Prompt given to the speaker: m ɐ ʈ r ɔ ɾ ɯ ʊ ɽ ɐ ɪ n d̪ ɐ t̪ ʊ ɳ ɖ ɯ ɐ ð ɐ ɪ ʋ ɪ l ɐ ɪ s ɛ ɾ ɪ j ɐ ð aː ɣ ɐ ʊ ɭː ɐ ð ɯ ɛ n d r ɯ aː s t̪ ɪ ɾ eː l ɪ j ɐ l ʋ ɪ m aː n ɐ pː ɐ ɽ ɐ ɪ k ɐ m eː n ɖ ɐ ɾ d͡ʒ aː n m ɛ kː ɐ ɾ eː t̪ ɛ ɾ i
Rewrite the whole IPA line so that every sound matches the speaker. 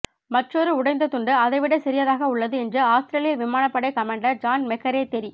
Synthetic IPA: m ɐ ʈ r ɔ ɾ ɯ ʊ ɽ ɐ ɪ n d̪ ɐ t̪ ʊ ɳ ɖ ɯ ɐ ð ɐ ɪ ʋ ɪ ɽ ɐ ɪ s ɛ ɾ ɪ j ɐ ð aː ɣ ɐ ʊ ɭː ɐ ð ɯ ɛ n d r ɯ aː s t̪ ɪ ɾ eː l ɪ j ɐ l ʋ ɪ m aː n ɐ pː ɐ ɽ ɐ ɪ k ɐ m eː ɳ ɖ ɐ ɾ d͡ʒ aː n m ɛ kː ɐ ɾ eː t̪ ɛ ɾ i

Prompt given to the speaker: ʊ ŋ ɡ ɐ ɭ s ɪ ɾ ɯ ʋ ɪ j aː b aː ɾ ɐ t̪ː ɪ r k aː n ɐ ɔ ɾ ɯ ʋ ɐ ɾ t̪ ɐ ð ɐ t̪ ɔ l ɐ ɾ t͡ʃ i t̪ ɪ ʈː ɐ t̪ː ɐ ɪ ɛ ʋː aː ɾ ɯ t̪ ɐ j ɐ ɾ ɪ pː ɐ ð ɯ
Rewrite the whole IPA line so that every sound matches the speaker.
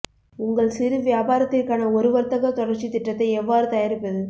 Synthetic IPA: ʊ ŋ ɡ ɐ ɭ s ɪ ɾ ɯ ʋ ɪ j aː b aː ɾ ɐ t̪ː ɪ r k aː n ɐ ɔ ɾ ɯ ʋ ɐ ɾ t̪ ɐ ɣ ɐ t̪ ɔ ɽ ɐ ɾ t͡ʃ i t̪ ɪ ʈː ɐ t̪ː ɐ ɪ ɛ ʋː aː ɾ ɯ t̪ ɐ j ɐ ɾ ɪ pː ɐ ð ɯ

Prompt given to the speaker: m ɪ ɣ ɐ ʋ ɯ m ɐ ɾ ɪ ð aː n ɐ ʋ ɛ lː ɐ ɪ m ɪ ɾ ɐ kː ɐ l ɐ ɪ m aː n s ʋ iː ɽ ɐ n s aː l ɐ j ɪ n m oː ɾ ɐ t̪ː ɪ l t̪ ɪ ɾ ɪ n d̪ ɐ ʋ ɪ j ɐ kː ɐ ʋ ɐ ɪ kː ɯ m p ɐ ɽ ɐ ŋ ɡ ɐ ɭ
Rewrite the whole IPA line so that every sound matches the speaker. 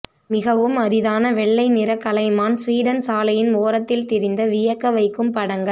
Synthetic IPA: m ɪ ɣ ɐ ʋ ɯ m ɐ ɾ ɪ ð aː n ɐ ʋ ɛ ɭː ɐ ɪ n ɪ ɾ ɐ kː ɐ l ɐ ɪ m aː n s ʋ iː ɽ ɐ n s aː l ɐ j ɪ n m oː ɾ ɐ t̪ː ɪ l t̪ ɪ ɾ ɪ n d̪ ɐ ʋ ɪ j ɐ kː ɐ ʋ ɐ ɪ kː ɯ m p ɐ ɽ ɐ ŋ ɡ ɐ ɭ

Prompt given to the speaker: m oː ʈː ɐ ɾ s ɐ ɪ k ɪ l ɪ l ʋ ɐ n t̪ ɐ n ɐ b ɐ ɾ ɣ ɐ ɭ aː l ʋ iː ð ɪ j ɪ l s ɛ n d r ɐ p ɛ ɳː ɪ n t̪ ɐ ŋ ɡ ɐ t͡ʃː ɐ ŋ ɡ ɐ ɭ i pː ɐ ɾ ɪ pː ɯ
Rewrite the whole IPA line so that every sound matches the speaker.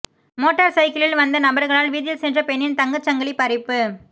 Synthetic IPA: m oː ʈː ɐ ɾ s ɐ ɪ k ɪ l ɪ l ʋ ɐ n d̪ ɐ n ɐ b ɐ ɾ ɣ ɐ ɭ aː l ʋ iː ð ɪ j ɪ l s ɛ n d r ɐ p ɛ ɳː ɪ n t̪ ɐ ŋ ɡ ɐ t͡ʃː ɐ ŋ ɡ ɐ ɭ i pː ɐ ɾ ɪ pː ɯ

